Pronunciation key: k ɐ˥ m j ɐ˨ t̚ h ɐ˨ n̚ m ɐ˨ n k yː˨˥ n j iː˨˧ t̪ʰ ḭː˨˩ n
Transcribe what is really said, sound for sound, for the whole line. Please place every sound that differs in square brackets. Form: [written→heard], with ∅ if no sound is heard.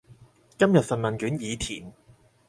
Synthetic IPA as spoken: k ɐ˥ m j ɐ˨ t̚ [h→f] ɐ˨ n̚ m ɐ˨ n k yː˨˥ n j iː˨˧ t̪ʰ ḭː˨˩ n